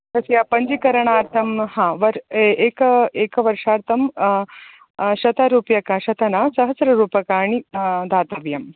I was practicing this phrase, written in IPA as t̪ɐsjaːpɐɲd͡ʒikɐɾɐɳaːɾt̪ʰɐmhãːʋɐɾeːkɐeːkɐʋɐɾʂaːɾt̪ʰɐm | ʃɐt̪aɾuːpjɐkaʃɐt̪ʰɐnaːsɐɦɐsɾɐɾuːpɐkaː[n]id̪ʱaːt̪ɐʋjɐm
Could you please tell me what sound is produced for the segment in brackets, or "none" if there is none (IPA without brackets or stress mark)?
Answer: ɳ